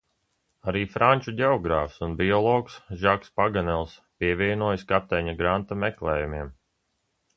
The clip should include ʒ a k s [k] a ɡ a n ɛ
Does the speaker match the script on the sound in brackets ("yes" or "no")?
no